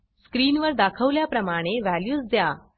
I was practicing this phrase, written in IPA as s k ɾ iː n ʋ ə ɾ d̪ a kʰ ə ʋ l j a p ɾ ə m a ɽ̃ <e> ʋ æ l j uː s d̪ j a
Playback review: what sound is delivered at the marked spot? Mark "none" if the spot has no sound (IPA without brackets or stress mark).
e